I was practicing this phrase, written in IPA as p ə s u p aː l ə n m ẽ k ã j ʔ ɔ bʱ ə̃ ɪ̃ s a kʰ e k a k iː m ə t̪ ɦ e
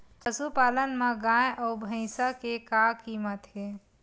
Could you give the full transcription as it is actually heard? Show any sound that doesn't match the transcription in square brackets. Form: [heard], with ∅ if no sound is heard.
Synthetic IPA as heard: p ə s u p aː l ə n m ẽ [ɡ] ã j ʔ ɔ bʱ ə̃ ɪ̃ s a [k] e k a k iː m ə t̪ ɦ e